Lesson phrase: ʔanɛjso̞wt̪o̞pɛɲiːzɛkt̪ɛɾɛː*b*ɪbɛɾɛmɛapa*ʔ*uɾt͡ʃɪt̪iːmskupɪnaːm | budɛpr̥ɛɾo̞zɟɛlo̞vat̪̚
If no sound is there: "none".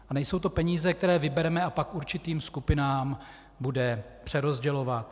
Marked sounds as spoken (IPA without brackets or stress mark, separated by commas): v, k